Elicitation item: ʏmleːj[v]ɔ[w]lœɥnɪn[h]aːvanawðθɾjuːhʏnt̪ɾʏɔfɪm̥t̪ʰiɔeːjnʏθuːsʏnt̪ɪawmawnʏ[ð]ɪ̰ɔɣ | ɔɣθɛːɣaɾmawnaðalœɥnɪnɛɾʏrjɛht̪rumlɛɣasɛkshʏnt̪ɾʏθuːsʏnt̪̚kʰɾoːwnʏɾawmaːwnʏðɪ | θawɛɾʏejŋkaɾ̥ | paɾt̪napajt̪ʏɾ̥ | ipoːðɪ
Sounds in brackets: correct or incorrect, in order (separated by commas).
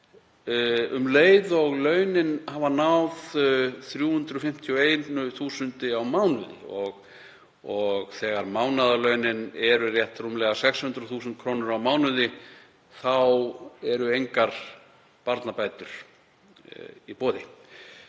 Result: incorrect, incorrect, correct, correct